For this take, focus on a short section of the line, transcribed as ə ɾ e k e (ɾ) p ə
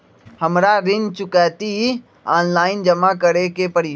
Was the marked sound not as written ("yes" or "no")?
yes